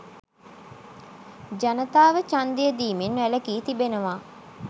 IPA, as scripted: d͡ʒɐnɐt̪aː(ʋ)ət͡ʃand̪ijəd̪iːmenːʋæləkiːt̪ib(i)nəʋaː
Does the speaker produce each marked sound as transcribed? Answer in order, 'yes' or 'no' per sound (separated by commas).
yes, no